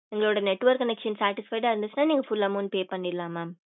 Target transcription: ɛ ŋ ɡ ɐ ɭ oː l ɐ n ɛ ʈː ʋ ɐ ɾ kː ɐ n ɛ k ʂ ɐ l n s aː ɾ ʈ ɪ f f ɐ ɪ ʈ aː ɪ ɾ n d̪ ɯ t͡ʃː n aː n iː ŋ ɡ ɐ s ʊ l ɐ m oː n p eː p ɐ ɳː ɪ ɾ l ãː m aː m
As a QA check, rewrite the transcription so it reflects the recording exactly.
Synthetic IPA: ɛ ŋ ɡ ɐ ɭ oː ɽ ɐ n ɛ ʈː ʋ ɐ ɾ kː ɐ n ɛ k ʂ ɐ n s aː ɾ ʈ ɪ s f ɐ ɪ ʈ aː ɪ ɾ n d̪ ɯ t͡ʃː n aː n iː ŋ ɡ ɐ f ʊ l ɐ m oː n p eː p ɐ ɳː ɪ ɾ l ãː m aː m